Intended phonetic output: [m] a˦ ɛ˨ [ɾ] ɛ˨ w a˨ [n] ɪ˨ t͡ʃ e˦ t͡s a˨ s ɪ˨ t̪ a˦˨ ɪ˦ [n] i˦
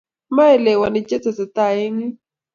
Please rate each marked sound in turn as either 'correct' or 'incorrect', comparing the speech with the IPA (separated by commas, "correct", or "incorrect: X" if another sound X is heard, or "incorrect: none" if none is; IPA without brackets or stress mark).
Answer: correct, incorrect: l, correct, incorrect: ŋ